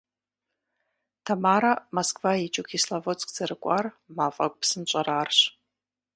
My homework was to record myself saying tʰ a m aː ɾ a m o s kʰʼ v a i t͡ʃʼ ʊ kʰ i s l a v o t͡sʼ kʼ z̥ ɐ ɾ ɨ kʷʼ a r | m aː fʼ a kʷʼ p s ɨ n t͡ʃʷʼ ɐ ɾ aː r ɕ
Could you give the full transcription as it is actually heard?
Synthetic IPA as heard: tʰ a m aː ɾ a m o s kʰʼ v a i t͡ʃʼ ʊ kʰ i s l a v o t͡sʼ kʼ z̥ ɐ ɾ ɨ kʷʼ a r | m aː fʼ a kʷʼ p s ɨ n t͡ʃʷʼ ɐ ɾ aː r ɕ